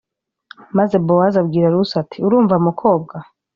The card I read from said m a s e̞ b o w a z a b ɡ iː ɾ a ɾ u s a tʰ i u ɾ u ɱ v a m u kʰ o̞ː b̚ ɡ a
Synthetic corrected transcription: m a z e̞ b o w a z a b ɡ iː ɾ a ɾ u s a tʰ i u ɾ uː ɱ v a m u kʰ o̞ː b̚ ɡ a